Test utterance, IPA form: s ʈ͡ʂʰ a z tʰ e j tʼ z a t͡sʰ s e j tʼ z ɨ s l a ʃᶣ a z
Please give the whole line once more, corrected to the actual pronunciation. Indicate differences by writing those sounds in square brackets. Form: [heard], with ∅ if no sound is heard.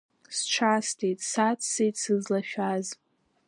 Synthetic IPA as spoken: s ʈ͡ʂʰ a [s] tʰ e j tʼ [s] a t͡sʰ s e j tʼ [s] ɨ [z] l a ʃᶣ a z